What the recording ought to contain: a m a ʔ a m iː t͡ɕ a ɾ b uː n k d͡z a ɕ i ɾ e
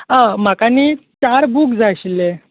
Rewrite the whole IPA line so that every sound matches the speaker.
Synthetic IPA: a m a k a n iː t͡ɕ a ɾ b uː k d͡z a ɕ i l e